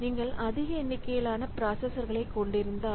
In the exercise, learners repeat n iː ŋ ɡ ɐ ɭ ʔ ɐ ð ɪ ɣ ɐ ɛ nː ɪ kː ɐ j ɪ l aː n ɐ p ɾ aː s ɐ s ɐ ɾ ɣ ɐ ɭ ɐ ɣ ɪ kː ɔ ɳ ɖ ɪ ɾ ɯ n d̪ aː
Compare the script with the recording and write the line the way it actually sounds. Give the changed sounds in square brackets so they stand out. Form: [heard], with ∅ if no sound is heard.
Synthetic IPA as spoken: n iː ŋ ɡ ɐ ɭ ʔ ɐ ð ɪ ɣ ɐ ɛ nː ɪ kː ɐ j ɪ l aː n ɐ p ɾ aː s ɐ s ɐ ɾ ɣ ɐ ɭ ɐ [∅] ɪ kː ɔ ɳ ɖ ɪ ɾ ɯ n d̪ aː